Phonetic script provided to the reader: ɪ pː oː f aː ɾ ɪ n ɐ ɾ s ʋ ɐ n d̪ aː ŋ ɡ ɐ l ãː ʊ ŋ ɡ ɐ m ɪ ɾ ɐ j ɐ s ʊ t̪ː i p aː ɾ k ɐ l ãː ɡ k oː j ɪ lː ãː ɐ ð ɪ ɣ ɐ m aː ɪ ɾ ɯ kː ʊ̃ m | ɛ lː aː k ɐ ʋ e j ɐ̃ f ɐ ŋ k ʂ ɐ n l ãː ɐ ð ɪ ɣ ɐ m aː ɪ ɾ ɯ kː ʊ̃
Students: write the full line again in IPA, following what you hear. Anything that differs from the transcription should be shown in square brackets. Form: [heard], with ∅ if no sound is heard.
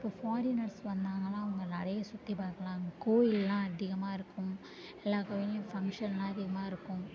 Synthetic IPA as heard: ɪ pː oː f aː ɾ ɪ n ɐ ɾ s ʋ ɐ n d̪ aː ŋ ɡ ɐ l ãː ʊ ŋ ɡ ɐ [n] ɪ ɾ ɐ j ɐ s ʊ t̪ː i p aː ɾ k ɐ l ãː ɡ k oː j ɪ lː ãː ɐ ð ɪ ɣ ɐ m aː ɪ ɾ ɯ kː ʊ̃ m | ɛ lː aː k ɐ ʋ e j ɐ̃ f ɐ ŋ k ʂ ɐ n l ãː ɐ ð ɪ ɣ ɐ m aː ɪ ɾ ɯ kː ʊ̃